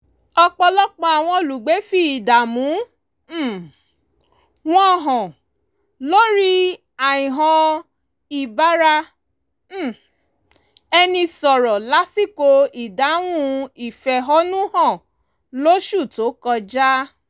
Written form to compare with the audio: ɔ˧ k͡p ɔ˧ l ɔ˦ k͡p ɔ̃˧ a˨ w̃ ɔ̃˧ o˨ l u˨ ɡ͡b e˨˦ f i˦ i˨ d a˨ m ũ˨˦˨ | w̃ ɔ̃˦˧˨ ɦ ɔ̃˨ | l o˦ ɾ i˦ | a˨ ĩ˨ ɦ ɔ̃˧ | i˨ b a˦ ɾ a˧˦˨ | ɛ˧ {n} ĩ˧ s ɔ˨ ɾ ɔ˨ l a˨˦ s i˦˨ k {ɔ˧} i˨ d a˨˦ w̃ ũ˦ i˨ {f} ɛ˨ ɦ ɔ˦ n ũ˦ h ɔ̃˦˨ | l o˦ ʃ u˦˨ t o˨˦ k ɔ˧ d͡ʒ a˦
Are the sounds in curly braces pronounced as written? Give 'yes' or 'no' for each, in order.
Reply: yes, no, yes

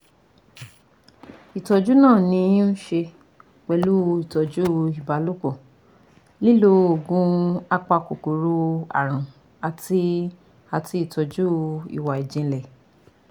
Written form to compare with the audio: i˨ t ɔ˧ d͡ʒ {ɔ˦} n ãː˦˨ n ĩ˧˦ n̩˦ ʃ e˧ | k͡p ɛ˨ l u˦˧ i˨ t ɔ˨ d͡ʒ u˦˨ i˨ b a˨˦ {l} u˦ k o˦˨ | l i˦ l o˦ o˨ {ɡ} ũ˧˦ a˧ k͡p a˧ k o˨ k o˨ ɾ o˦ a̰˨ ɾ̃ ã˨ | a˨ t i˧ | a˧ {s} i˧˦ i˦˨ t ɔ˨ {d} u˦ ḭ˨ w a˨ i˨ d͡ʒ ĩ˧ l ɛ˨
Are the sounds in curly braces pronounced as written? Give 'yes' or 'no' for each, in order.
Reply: no, yes, yes, no, no

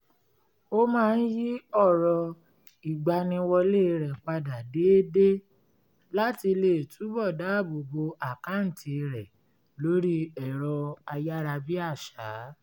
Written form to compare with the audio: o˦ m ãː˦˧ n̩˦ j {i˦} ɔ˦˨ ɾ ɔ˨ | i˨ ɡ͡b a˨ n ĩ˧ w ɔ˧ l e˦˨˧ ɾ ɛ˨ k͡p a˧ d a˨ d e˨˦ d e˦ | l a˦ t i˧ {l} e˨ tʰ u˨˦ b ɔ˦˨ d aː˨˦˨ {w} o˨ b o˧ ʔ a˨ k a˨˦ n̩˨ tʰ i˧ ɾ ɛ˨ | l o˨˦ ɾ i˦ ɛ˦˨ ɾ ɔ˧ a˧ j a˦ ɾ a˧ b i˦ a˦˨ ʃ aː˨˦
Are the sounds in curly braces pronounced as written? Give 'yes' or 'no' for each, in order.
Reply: yes, yes, no

